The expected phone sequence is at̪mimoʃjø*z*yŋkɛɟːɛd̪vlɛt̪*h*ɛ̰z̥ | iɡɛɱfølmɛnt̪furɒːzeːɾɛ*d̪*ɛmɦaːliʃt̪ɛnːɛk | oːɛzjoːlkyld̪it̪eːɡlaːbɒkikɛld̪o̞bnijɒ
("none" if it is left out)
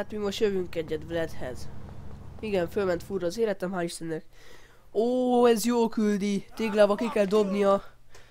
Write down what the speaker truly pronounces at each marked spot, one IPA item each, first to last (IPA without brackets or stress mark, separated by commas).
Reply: v, h, t̪